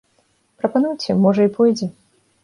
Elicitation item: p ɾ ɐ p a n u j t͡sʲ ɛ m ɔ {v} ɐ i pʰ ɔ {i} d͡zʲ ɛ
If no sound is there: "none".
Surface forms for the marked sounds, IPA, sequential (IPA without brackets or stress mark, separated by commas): ʐ, j